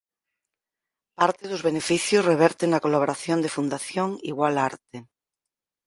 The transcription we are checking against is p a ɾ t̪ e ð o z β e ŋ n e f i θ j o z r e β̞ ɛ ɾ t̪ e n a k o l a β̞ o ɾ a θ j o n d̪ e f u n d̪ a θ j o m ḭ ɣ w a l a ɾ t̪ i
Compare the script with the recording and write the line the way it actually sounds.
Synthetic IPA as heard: p a ɾ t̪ e ð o z β e n e f i θ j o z r e β̞ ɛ ɾ t̪ e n a k o l a β̞ o ɾ a θ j o n d̪ e f u n d̪ a θ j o ŋ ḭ ɣ w a l a ɾ t̪ e